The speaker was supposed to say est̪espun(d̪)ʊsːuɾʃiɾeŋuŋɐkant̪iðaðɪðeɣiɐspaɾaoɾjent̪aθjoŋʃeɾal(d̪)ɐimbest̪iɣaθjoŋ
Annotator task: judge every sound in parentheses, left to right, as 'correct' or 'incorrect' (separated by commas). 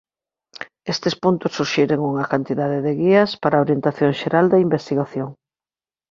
incorrect, correct